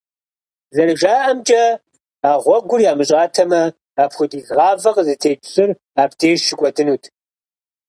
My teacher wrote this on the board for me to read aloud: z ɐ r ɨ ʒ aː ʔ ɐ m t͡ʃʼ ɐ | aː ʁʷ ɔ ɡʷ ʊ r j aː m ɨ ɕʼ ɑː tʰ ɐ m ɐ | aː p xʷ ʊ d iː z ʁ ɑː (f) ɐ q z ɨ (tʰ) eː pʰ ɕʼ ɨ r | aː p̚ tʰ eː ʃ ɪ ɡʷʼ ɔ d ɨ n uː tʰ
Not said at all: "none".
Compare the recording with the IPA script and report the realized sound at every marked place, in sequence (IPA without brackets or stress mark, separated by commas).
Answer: v, tʰ